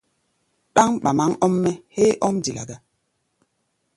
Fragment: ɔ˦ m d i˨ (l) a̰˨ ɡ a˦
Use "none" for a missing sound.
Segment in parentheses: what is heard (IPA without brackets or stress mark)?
l